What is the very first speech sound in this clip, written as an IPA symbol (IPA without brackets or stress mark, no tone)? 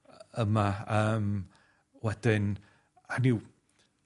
ə